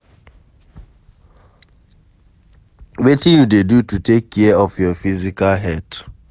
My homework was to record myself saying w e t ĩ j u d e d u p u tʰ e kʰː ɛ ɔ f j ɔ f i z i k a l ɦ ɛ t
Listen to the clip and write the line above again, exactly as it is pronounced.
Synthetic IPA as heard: w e t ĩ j u d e d u t u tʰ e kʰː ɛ ɔ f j ɔ f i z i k a l ɦ ɛ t